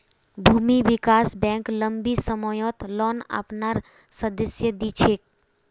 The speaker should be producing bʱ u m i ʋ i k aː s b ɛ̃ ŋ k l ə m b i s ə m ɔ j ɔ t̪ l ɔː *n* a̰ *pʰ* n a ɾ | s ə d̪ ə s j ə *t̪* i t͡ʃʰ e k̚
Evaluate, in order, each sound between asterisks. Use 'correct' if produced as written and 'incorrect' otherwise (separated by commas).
correct, incorrect, incorrect